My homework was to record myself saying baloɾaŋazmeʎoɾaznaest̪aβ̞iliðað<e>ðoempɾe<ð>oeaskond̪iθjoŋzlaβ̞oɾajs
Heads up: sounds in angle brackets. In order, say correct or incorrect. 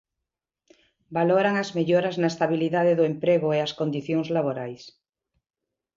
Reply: correct, incorrect: ɣ

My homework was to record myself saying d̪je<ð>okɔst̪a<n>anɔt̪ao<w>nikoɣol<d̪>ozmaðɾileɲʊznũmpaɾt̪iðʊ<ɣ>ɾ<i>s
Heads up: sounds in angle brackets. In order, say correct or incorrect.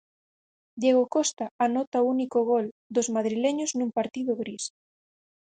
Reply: incorrect: ɣ, incorrect: none, incorrect: u, correct, correct, correct

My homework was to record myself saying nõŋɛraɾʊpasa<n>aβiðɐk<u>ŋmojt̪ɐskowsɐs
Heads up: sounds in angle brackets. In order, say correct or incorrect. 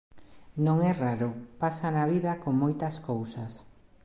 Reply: correct, incorrect: o

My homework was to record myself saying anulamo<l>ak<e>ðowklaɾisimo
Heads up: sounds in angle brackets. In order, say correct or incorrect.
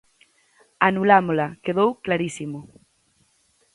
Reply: correct, correct

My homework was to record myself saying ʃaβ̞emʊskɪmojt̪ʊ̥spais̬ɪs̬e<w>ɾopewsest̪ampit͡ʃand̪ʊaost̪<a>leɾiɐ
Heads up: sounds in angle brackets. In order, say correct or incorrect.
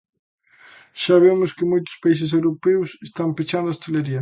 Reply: correct, incorrect: e

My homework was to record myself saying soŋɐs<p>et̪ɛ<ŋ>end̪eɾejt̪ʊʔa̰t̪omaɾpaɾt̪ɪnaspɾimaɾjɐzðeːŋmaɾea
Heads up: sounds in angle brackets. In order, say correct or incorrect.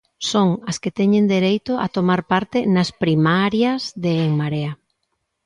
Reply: incorrect: k, incorrect: ɲ

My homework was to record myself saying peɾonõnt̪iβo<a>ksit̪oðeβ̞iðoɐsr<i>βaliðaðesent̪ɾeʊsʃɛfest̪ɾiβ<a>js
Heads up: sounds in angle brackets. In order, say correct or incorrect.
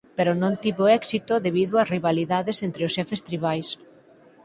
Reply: incorrect: ɛ, correct, correct

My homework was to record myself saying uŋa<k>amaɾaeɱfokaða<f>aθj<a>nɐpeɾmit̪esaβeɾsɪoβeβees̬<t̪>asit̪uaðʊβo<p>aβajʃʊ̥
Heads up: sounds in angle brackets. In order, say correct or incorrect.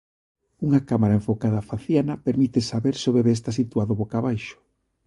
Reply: correct, correct, correct, correct, incorrect: k

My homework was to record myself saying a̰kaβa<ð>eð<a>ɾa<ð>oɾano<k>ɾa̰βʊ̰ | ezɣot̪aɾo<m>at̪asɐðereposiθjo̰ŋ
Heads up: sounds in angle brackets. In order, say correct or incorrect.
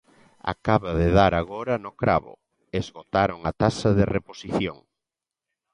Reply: correct, correct, incorrect: ɣ, correct, incorrect: ŋ

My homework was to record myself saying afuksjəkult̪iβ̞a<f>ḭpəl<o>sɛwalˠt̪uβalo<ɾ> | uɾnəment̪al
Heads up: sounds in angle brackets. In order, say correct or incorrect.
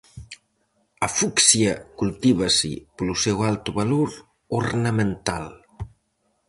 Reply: incorrect: s, incorrect: u, correct

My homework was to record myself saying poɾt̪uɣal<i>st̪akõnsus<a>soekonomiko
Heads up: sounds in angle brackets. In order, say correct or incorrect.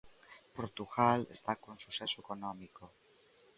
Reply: incorrect: e, incorrect: e

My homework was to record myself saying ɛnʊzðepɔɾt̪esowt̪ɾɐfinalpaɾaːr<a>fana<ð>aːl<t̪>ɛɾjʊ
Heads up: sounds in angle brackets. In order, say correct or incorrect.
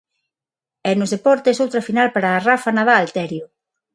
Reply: correct, correct, correct

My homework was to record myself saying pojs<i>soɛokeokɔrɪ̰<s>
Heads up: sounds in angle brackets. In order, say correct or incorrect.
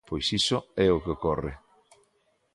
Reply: correct, incorrect: none

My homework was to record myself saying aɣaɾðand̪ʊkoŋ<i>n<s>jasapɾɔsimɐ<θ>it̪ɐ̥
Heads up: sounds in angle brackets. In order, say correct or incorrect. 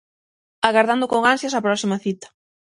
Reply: incorrect: a, correct, correct

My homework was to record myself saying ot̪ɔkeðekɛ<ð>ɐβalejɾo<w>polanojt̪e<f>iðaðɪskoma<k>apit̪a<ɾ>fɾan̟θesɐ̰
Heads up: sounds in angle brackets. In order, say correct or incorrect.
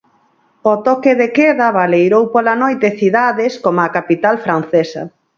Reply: correct, correct, incorrect: θ, correct, incorrect: l

